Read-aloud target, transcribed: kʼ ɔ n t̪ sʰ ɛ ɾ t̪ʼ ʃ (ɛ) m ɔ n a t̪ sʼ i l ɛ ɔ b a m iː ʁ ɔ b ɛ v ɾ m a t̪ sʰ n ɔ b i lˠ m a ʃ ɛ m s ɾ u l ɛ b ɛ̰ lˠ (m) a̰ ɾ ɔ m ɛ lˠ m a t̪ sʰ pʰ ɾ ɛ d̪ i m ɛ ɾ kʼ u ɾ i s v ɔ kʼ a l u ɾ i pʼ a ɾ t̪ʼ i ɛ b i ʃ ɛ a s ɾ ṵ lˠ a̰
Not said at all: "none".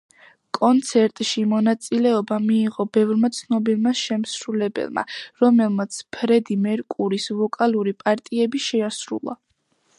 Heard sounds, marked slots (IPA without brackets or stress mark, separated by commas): i, m